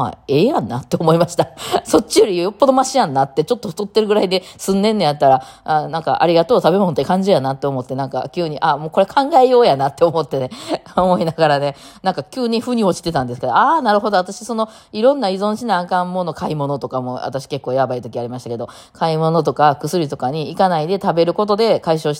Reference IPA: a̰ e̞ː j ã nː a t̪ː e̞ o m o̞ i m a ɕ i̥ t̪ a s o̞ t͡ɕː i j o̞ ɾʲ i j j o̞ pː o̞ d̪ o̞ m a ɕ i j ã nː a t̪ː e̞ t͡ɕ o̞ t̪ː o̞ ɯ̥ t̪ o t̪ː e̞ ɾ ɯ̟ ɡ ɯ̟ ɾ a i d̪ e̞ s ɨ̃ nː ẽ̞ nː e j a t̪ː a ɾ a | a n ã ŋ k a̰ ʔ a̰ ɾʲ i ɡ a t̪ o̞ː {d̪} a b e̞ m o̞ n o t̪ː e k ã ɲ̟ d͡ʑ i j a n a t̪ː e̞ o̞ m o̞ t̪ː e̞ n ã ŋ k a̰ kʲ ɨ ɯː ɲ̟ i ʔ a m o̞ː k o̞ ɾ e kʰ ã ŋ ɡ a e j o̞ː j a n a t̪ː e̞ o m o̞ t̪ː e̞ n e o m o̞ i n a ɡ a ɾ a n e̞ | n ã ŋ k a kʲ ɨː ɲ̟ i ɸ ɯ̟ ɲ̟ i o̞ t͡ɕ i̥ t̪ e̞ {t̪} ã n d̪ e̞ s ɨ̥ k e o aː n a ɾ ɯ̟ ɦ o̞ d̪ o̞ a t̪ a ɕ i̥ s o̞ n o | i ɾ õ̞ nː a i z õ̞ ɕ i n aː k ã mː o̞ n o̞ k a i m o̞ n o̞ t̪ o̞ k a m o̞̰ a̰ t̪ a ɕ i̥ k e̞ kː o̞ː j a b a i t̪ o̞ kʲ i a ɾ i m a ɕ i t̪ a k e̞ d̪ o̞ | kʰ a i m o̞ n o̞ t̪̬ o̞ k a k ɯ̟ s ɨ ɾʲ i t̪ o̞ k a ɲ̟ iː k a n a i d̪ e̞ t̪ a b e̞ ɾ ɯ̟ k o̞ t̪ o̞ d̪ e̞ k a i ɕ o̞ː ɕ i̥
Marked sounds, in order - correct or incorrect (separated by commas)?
incorrect, correct